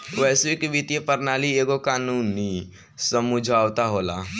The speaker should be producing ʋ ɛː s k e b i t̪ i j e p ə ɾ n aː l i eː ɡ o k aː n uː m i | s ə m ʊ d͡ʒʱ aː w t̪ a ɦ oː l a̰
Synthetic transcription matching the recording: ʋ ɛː s k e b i t̪ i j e p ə ɾ n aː l i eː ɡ o k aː n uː n i | s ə m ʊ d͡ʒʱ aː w t̪ a ɦ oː l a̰